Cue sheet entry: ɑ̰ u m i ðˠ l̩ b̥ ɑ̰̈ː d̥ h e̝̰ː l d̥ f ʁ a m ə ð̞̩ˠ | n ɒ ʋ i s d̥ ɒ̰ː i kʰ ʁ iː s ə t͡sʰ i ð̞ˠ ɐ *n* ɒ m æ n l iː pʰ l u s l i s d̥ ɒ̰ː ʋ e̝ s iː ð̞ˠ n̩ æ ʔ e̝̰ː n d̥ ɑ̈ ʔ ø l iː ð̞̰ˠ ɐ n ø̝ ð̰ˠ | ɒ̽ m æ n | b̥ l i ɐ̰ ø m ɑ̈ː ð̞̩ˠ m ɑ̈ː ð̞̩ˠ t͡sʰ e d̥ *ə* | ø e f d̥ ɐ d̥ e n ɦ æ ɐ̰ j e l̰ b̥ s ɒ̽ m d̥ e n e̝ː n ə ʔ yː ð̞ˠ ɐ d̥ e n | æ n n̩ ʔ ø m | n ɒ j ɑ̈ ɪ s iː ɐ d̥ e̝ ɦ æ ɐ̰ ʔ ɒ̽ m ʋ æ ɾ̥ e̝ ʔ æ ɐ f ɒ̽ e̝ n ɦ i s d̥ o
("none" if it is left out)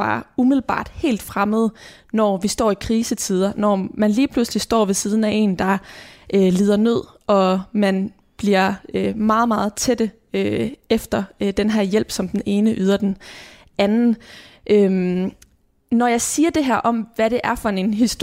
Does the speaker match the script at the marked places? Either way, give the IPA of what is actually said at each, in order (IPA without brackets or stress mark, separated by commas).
n, ə